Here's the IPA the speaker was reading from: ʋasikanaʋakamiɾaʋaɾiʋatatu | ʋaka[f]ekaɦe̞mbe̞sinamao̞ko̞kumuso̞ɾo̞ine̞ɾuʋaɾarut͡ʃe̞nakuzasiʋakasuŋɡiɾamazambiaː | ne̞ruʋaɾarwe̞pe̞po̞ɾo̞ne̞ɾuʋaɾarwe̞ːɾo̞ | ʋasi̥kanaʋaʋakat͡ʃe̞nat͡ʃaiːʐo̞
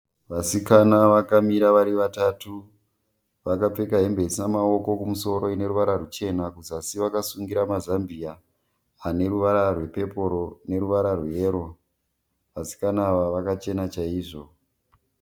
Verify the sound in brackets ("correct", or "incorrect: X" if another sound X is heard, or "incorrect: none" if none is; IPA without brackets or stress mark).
incorrect: p͡f